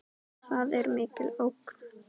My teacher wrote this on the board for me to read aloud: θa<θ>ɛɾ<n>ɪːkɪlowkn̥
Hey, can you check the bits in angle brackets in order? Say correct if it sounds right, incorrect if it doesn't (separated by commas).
incorrect, incorrect